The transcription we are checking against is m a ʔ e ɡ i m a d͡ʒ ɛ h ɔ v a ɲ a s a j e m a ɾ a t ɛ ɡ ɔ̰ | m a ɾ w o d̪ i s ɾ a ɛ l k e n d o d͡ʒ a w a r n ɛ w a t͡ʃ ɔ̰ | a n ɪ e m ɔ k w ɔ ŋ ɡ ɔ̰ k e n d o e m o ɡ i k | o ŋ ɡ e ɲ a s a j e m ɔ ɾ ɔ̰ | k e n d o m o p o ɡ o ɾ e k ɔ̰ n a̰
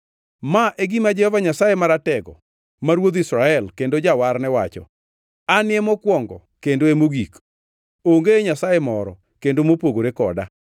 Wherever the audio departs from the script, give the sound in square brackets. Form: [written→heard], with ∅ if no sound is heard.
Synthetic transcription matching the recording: m a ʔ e ɡ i m a d͡ʒ ɛ h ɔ v a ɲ a s a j e m a ɾ a t ɛ ɡ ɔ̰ | m a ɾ w o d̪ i s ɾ a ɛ l k e n d o d͡ʒ a w a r n ɛ w a t͡ʃ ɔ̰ | a n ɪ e m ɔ k w ɔ ŋ ɡ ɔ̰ k e n d o e m o ɡ i k | o ŋ ɡ e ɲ a s a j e m ɔ ɾ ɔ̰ | k e n d o m o p o ɡ o ɾ e k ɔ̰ [n→d] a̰